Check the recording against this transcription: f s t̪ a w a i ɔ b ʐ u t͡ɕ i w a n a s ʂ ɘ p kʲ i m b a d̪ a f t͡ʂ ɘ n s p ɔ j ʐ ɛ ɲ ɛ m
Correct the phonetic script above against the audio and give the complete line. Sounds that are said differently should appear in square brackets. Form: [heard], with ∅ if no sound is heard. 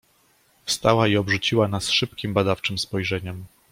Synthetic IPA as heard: f s t̪ a w a i ɔ b ʐ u t͡ɕ i w a n a s ʂ ɘ p kʲ i m b a d̪ a f t͡ʂ ɘ [m] s p ɔ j ʐ ɛ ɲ ɛ m